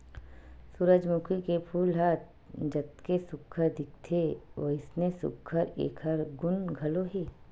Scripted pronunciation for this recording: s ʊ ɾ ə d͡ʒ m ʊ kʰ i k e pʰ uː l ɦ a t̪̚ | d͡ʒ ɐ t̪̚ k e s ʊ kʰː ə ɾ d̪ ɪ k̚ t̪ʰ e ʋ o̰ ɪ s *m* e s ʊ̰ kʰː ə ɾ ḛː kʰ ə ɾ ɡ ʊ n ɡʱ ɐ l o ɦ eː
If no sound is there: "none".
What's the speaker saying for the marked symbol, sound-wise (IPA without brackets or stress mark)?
n